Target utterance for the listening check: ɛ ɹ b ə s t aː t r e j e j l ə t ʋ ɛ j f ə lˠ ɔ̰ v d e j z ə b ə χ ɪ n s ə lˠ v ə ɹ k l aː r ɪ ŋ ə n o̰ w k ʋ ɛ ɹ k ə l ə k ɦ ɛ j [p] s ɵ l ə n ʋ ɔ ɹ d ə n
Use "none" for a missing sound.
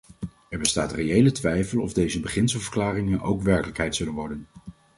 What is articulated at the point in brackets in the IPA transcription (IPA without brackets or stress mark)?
t